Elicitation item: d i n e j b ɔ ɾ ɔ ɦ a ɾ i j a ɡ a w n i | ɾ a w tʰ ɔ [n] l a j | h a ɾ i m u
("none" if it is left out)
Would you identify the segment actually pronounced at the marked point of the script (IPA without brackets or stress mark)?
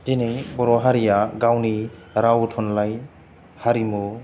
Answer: n